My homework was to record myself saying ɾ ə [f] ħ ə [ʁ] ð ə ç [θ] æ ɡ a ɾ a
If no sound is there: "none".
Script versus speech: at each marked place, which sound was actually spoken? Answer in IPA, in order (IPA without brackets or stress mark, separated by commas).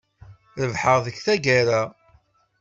v, ʁ, θ